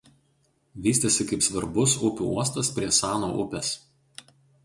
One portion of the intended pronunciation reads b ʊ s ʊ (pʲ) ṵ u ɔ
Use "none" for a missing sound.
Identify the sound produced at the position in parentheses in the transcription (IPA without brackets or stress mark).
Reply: pʲ